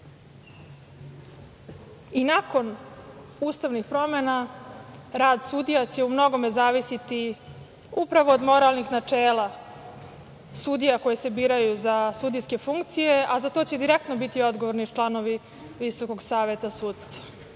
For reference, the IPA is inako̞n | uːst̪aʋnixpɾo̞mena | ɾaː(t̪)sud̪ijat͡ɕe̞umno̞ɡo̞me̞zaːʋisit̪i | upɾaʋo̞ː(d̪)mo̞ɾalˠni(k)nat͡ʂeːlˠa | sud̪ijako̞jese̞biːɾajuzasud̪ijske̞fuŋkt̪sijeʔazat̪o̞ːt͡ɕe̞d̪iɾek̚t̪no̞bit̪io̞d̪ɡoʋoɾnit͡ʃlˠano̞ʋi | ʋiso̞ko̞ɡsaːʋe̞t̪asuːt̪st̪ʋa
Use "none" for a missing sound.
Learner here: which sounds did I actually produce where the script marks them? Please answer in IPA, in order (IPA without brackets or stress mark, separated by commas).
d̪, d̪, x